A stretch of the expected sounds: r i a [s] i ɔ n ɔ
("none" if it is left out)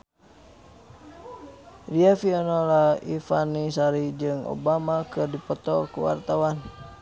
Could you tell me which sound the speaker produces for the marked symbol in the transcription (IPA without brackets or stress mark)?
f